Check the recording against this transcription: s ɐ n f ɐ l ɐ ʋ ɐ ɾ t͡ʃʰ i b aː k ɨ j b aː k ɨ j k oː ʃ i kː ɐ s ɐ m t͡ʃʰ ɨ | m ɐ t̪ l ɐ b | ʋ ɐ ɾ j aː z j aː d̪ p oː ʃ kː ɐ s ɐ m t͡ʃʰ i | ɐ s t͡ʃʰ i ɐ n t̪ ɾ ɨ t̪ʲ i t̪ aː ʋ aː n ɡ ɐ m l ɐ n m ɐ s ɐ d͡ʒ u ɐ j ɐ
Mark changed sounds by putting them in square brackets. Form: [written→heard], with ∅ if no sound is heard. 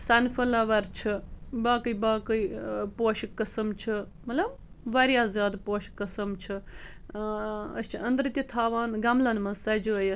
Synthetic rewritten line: s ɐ n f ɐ l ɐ ʋ ɐ ɾ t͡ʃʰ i b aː k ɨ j b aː k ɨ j [k→p] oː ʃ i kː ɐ s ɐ m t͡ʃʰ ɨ | m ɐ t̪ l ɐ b | ʋ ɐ ɾ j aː z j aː d̪ p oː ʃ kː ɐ s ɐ m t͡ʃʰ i | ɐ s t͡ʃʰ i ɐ n [t̪→d̪] ɾ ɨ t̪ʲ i [t̪→t̪ʰ] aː ʋ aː n ɡ ɐ m l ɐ n m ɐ s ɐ d͡ʒ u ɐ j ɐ